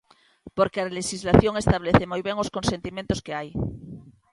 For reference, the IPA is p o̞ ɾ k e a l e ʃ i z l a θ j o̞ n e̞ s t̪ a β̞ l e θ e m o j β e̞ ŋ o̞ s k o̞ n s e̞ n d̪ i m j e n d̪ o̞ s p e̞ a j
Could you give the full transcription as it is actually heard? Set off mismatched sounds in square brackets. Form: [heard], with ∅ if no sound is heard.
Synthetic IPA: p o̞ ɾ k e a l e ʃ i z l a θ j o̞ [ŋ] e̞ s t̪ a β̞ l e θ e m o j β e̞ ŋ o̞ s k o̞ n s e̞ n [t̪] i m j e n [t̪] o̞ s [k] e̞ a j